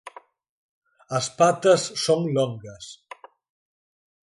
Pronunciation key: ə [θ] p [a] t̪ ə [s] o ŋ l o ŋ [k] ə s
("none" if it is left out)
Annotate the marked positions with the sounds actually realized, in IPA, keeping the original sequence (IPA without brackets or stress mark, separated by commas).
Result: s, a, sː, ɡ